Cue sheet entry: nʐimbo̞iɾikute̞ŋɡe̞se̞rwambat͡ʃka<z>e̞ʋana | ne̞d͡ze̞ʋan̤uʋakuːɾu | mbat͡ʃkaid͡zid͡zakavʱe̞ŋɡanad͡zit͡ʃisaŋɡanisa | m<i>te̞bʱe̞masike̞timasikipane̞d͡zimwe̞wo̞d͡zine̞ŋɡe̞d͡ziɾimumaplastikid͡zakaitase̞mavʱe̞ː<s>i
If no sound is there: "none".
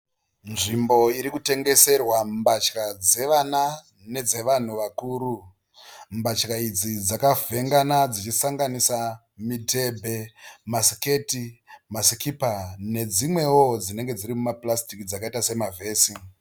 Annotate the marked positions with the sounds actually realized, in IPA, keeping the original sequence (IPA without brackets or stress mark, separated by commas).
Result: d͡z, i, s